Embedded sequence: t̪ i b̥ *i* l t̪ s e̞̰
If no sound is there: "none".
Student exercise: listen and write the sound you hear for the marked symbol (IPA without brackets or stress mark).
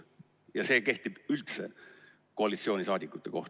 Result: y